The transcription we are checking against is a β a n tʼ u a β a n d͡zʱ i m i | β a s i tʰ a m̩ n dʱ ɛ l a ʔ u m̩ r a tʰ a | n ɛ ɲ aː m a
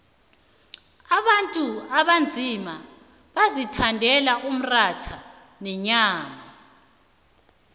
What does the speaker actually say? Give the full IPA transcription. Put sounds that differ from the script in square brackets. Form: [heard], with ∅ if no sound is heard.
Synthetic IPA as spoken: a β a n tʼ u a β a n d͡zʱ i m [a] | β a [z] i tʰ a [∅] n dʱ ɛ l a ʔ u m̩ r a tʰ a | n ɛ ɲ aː m a

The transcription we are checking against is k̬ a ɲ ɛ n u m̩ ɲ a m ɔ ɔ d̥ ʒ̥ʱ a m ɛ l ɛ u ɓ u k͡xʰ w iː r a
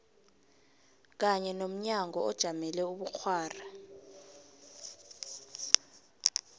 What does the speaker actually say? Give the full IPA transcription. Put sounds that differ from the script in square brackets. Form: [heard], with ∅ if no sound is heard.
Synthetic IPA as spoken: k̬ a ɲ ɛ n [o] m̩ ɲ a [ŋ] ɔ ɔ d̥ ʒ̥ʱ a m ɛ l ɛ u ɓ u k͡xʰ w [aː] r a

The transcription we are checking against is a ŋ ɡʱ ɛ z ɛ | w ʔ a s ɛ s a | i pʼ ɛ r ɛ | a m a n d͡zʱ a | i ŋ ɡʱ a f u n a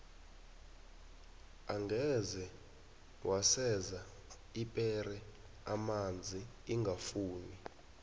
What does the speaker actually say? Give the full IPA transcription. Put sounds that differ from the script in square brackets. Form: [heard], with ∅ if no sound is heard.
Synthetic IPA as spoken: a ŋ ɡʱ ɛ z ɛ | w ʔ a s ɛ [z] a | i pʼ ɛ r ɛ | a m a n d͡zʱ [i] | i ŋ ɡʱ a f [uː] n [i]

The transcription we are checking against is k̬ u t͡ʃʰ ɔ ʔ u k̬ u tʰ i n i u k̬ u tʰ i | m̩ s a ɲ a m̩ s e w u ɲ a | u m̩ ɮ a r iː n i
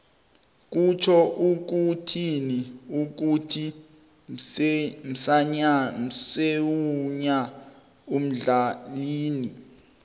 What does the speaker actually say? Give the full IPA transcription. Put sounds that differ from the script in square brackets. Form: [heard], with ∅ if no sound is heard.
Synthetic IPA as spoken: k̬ u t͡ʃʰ ɔ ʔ u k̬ u tʰ i n i u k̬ u tʰ i | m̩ s a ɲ a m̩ s e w u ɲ a | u m̩ ɮ a [l] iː n i

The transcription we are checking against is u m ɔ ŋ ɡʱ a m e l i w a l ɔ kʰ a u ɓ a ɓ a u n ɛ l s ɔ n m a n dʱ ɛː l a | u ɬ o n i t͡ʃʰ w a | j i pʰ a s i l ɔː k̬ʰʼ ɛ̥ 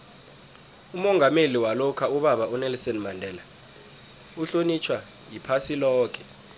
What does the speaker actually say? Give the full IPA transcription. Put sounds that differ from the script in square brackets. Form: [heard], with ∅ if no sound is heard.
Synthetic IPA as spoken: u m ɔ ŋ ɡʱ a m e l i w a l ɔ kʰ a u ɓ a ɓ a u n ɛ l s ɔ n m a n dʱ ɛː l a | u ɬ o n i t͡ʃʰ w a | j i pʰ a s i l ɔː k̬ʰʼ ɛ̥

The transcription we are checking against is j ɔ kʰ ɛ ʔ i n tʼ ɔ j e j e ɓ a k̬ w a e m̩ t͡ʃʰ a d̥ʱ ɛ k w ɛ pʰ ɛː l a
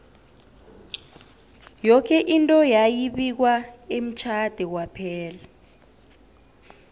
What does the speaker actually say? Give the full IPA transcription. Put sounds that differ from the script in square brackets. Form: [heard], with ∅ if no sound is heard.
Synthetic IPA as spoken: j ɔ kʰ ɛ ʔ i n tʼ ɔ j [a] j [i] ɓ [i] k̬ w a e m̩ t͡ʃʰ a d̥ʱ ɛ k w [a] pʰ ɛː l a

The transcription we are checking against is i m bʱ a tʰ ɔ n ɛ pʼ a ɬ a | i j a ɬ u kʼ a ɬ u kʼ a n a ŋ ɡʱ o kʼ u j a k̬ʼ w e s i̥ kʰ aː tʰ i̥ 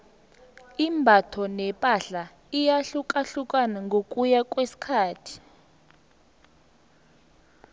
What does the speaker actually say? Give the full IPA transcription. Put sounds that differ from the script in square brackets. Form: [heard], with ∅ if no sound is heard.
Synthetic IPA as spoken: i m bʱ a tʰ ɔ n ɛ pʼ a ɬ a | i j a ɬ u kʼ a ɬ u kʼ a n a ŋ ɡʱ o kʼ u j a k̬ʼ w e s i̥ kʰ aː tʰ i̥

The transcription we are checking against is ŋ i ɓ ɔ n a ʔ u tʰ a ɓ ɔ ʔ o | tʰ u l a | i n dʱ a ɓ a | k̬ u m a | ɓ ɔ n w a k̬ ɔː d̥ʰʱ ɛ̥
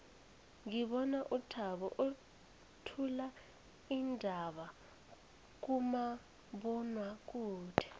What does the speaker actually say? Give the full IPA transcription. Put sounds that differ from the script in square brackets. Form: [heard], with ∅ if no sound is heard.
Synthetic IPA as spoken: ŋ i ɓ ɔ n a ʔ u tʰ a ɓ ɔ ʔ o | tʰ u l a | i n dʱ a ɓ a | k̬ u m a | ɓ ɔ n w a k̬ [uː] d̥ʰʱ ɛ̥

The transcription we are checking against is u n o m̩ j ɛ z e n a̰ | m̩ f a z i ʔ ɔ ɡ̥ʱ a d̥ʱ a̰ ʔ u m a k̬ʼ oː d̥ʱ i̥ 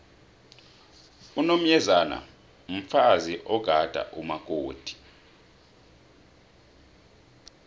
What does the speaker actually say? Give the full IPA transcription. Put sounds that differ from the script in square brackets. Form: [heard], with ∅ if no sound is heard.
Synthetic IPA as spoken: u n o m̩ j ɛ z [a] n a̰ | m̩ f a z i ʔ ɔ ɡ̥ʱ a d̥ʱ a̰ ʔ u m a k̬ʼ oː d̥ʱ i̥

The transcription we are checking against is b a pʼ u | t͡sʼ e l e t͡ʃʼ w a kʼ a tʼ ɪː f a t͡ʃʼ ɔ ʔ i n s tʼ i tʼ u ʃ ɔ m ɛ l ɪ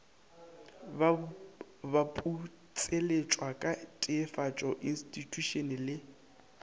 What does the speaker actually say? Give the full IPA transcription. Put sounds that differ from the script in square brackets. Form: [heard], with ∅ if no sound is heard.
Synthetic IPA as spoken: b a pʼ u | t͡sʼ e l e t͡ʃʼ w a kʼ a tʼ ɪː f a t͡ʃʼ ɔ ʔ i n s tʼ i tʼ u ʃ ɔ [n] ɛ l ɪ

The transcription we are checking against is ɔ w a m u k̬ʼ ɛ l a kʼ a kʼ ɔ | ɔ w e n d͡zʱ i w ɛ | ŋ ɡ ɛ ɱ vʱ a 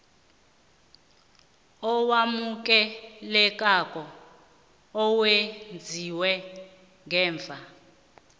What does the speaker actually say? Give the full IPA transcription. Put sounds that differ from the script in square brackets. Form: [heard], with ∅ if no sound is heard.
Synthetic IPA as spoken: ɔ w a m u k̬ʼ ɛ l [ɛ] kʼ a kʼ ɔ | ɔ w e n d͡zʱ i w ɛ | ŋ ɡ [ɛː] ɱ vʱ a

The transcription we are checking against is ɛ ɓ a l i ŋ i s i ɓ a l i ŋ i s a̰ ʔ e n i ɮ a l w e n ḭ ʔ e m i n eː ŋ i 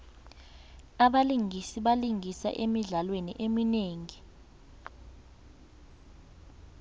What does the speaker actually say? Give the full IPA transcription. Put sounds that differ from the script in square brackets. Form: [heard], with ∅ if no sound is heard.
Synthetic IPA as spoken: [a] ɓ a l i ŋ i s i ɓ a l i ŋ i s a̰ ʔ e [m] i ɮ a l w e n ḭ ʔ e m i n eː ŋ i

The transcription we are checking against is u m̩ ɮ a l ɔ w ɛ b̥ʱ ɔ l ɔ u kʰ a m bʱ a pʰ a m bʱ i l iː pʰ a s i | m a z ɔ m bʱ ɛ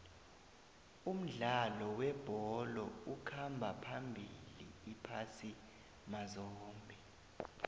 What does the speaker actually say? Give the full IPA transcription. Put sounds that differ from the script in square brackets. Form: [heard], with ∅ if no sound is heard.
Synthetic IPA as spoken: u m̩ ɮ a l ɔ w ɛ b̥ʱ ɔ l ɔ u kʰ a m bʱ a pʰ a m bʱ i l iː pʰ a s i | m a z [ɔː] m bʱ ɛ

